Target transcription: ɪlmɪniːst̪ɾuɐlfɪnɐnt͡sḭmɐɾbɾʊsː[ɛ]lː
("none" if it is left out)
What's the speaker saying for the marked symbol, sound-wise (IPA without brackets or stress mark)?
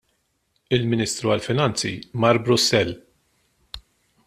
ɛ